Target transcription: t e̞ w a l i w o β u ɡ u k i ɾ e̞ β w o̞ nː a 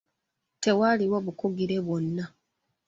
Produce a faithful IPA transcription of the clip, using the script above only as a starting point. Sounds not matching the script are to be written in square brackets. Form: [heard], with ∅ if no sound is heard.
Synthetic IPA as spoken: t e̞ w a l i w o β u [k] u [ɡ] i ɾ e̞ β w o̞ nː a